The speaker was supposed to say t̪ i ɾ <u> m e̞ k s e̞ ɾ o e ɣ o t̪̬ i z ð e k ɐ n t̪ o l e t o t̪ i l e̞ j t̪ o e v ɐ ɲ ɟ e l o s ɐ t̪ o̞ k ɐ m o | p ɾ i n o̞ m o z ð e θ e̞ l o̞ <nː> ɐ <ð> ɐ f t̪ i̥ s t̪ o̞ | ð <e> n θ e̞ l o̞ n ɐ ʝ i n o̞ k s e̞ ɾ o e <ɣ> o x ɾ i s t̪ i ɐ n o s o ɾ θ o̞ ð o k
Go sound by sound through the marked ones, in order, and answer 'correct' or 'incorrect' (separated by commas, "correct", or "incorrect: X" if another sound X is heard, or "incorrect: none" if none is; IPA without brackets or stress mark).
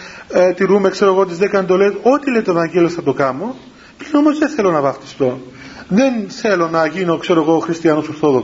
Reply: correct, incorrect: n, incorrect: v, correct, correct